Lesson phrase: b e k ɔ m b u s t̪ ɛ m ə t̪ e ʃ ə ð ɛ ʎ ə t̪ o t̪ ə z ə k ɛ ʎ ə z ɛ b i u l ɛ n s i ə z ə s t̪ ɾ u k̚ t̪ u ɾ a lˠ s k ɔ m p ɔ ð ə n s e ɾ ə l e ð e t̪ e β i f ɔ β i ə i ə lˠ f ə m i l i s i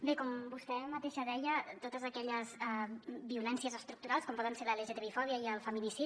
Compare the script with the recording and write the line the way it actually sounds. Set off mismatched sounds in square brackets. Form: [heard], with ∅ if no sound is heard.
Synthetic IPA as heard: b e k ɔ m b u s t̪ ɛ m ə t̪ e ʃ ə ð ɛ ʎ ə t̪ o t̪ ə z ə k ɛ ʎ ə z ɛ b i u l ɛ n s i ə z ə s t̪ ɾ u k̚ t̪ u ɾ a lˠ s k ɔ m p ɔ ð ə n s e [l] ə l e [ʒ] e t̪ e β i f ɔ β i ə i ə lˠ f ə m i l i s i